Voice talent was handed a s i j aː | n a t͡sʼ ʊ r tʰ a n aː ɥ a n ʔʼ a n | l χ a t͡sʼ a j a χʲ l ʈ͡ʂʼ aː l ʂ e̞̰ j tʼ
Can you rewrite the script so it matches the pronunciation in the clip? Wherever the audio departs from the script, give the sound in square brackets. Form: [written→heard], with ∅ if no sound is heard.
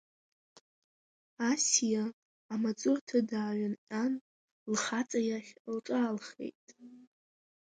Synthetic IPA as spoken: a s i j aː | [n→m] a t͡sʼ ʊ r tʰ a [n→d] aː ɥ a n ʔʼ a n | l χ a t͡sʼ a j a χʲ l ʈ͡ʂʼ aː l [ʂ→χ] e̞̰ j tʼ

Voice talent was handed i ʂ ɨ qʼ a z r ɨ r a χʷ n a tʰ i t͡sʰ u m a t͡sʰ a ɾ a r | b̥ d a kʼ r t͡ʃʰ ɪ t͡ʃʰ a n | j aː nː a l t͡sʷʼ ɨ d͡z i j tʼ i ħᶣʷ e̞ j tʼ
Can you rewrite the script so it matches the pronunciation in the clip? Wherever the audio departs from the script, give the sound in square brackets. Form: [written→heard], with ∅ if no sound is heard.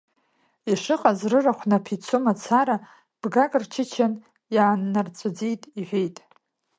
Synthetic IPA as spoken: i ʂ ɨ qʼ a z r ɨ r a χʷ n a [tʰ→pʰ] i t͡sʰ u m a t͡sʰ a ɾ a [r→∅] | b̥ [d→ɡ] a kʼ r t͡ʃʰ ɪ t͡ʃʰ a n | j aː nː a [l→r] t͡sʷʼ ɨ d͡z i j tʼ i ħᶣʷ e̞ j tʼ

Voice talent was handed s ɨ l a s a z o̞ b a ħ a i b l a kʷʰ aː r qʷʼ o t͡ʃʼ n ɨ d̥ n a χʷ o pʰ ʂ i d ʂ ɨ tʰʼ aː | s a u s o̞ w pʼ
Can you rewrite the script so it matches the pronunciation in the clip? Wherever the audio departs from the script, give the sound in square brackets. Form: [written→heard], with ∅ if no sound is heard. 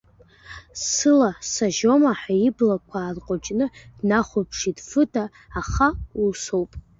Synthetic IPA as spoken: s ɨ l a s a [z→ʒ] o̞ [b→m] a ħ a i b l a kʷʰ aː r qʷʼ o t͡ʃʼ n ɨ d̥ n a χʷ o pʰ ʂ i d [ʂ→f] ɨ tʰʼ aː | [s→χ] a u s o̞ w pʼ

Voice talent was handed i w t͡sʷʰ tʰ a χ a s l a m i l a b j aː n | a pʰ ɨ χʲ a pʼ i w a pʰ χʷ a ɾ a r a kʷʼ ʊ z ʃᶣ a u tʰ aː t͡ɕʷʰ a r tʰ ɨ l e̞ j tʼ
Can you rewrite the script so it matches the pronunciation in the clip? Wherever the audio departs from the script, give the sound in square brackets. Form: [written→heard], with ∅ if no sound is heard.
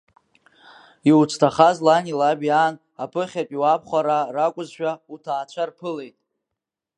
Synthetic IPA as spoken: i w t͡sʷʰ tʰ a χ a [s→z] l a [m→n] i l a b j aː n | a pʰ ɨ χʲ a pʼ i w a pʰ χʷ a ɾ a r a kʷʼ ʊ z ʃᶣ a u tʰ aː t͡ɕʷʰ a r [tʰ→pʰ] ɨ l e̞ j tʼ

